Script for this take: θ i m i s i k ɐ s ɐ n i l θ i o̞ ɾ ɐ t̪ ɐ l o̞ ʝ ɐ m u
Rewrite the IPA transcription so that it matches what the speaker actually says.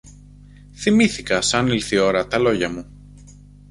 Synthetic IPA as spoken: θ i m i θ i k ɐ s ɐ n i l θ i o̞ ɾ ɐ t̪ ɐ l o̞ ʝ ɐ m u